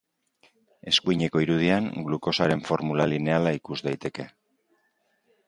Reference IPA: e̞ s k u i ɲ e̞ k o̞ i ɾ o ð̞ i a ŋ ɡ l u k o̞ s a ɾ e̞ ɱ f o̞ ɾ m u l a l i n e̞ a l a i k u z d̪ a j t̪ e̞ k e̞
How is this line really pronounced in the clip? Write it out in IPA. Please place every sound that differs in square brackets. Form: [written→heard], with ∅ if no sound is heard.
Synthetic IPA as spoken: e̞ s k u i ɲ e̞ k o̞ i ɾ [o→u] ð̞ i a ŋ ɡ l u k o̞ s a ɾ e̞ ɱ f o̞ ɾ m u l a l i n e̞ a l a i k u z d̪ a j t̪ e̞ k e̞

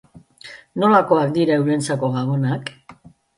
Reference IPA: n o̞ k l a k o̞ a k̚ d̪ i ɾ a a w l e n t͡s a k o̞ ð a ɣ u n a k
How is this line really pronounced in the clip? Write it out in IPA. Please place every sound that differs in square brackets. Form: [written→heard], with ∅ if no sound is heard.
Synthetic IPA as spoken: n o̞ [k→∅] l a k o̞ a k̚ d̪ i ɾ a [a→e] w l e n t͡s a k o̞ [ð→ɣ] a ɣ [u→o] n a k

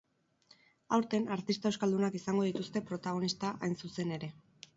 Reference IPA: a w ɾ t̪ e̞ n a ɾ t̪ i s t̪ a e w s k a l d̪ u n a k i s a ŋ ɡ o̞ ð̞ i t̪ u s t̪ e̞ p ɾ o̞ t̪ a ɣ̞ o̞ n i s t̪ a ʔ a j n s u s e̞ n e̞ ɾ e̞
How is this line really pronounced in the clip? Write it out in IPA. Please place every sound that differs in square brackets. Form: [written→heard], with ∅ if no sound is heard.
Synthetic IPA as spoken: a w ɾ t̪ e̞ n a ɾ t̪ i s t̪ a e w s k a l d̪ u n a k i s a ŋ ɡ o̞ ð̞ i t̪ u s t̪ e̞ p ɾ o̞ t̪ a ɣ̞ o̞ n i s t̪ a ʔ a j n s u s e̞ n e̞ ɾ e̞

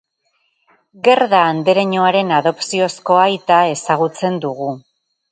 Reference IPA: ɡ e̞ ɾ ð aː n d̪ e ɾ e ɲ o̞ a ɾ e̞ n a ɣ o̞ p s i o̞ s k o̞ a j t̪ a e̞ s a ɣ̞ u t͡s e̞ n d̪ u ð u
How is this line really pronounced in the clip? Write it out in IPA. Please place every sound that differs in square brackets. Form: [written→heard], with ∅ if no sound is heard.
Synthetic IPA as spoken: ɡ e̞ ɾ ð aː n d̪ e ɾ e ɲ o̞ a ɾ e̞ n a [ɣ→ð] o̞ p s i o̞ s k o̞ a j t̪ a e̞ s a ɣ̞ u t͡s e̞ n d̪ u [ð→ɣ] u

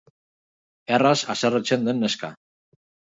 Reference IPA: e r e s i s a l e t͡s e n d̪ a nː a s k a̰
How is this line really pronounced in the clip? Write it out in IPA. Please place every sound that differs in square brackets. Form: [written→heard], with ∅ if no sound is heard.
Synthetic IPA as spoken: e r [e→a] s [i→a] s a [l→r] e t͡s e n d̪ [a→e] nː [a→e] s k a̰

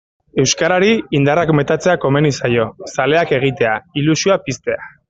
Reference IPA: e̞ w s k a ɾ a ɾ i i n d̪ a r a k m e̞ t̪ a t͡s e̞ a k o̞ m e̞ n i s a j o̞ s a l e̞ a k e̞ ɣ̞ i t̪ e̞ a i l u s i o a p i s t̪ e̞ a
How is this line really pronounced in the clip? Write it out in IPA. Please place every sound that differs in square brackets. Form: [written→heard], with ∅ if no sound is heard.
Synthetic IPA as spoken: e̞ w s k a ɾ a ɾ i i n d̪ a r a k m e̞ t̪ a t͡s e̞ a k o̞ m e̞ n i s a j o̞ s a l e̞ a k e̞ ɣ̞ i t̪ e̞ a i l u s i o a p i s t̪ e̞ a

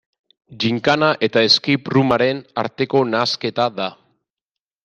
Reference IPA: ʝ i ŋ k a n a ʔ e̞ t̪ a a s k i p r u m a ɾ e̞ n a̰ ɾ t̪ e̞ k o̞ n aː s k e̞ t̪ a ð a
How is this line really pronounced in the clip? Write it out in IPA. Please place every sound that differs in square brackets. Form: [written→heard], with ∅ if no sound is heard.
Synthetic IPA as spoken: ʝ i ŋ k a n a ʔ e̞ t̪ a [a→e] s k i p r u m a ɾ e̞ n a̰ ɾ t̪ e̞ k o̞ n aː s k e̞ t̪ a ð a

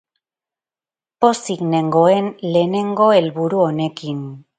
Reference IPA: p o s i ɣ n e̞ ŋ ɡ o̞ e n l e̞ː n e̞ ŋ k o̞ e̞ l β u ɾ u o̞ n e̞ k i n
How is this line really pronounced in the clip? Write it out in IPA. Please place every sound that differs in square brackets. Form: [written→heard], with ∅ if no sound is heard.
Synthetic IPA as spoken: p o s i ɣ n e̞ ŋ ɡ o̞ e n l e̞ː n e̞ ŋ [k→ɡ] o̞ e̞ l β u ɾ u o̞ n e̞ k i n

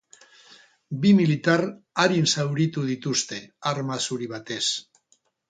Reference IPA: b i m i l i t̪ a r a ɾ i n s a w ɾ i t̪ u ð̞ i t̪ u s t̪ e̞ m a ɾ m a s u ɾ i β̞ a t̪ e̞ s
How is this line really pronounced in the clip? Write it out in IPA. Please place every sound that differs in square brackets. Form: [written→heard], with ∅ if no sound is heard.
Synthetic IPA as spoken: b i m i l i t̪ a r a ɾ i n s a w ɾ i t̪ u ð̞ i t̪ u s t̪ e̞ [m→∅] a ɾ m a s u ɾ i β̞ a t̪ e̞ s

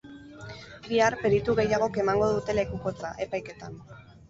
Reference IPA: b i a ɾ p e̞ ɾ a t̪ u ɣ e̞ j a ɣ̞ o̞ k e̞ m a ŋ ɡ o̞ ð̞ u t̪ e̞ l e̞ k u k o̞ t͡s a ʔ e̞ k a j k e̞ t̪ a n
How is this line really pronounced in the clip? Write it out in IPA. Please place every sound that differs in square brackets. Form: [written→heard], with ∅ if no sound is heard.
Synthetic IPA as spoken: b i a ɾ p e̞ ɾ [a→i] t̪ u ɣ e̞ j a ɣ̞ o̞ k e̞ m a ŋ ɡ o̞ ð̞ u t̪ e̞ l e̞ k u k o̞ t͡s a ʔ e̞ [k→p] a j k e̞ t̪ a n

